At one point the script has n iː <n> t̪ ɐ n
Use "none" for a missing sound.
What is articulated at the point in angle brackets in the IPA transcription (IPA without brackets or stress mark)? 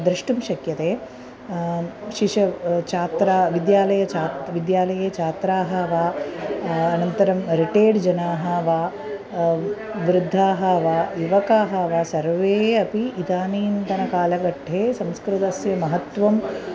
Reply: n